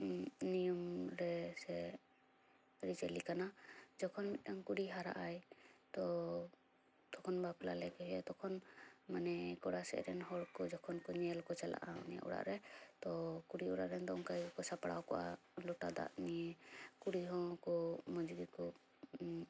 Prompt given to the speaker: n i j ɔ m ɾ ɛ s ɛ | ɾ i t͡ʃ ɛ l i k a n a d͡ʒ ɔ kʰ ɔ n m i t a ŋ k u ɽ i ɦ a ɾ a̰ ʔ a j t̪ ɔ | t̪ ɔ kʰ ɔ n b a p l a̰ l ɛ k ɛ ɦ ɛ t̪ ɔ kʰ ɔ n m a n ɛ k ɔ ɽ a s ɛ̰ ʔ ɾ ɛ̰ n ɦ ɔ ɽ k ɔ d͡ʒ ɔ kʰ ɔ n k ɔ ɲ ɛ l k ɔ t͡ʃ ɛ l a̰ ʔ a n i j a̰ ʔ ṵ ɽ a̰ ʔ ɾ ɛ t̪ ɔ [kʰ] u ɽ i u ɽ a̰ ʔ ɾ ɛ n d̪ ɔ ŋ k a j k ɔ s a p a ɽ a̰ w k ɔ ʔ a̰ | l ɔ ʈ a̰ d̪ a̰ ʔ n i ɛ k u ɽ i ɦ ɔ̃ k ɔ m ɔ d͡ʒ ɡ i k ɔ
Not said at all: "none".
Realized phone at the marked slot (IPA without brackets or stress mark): k